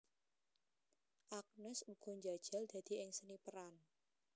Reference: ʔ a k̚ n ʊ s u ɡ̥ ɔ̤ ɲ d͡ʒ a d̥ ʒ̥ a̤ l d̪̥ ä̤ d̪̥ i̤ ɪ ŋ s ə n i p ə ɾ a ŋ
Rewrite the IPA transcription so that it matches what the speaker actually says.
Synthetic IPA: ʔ a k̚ n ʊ s u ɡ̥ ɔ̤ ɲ d͡ʒ a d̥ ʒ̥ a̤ l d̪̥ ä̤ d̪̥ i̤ ɪ ŋ s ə n i p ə ɾ a n